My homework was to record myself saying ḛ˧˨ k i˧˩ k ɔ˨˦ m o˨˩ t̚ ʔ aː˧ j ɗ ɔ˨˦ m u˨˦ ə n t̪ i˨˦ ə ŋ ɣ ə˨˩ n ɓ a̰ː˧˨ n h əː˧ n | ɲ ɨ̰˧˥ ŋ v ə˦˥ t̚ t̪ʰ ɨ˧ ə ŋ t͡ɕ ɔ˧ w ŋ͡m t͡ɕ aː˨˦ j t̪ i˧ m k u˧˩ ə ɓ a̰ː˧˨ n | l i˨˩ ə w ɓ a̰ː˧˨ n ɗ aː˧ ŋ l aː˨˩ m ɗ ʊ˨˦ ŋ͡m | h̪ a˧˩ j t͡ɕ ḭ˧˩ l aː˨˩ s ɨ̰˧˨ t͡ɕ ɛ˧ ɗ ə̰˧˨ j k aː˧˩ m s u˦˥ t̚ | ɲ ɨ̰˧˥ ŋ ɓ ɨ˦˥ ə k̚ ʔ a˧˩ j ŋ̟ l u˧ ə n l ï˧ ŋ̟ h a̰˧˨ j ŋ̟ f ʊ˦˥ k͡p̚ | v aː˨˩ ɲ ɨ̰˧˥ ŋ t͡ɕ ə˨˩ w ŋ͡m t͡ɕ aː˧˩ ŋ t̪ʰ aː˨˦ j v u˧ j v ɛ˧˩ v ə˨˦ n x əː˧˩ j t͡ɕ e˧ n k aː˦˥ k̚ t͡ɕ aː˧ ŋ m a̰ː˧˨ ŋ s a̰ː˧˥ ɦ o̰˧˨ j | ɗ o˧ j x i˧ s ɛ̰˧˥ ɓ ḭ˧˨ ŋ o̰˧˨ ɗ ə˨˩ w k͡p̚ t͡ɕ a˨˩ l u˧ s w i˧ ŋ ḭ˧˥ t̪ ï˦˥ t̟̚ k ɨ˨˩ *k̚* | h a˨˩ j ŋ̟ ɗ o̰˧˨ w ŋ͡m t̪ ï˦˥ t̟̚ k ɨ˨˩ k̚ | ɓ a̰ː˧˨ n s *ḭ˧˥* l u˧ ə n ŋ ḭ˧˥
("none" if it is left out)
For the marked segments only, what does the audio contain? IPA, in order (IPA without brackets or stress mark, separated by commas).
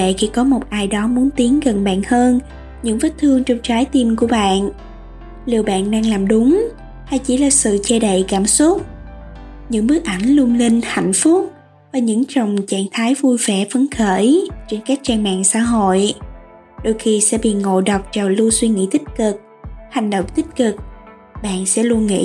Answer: k̚, ɛ̰˧˥